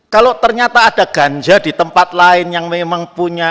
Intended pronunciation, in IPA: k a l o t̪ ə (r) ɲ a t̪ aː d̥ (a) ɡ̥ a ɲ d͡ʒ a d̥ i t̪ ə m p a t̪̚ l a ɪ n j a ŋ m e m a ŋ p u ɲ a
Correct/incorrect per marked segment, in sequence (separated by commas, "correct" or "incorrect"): correct, correct